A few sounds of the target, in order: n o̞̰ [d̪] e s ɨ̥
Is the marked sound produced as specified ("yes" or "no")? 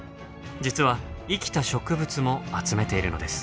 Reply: yes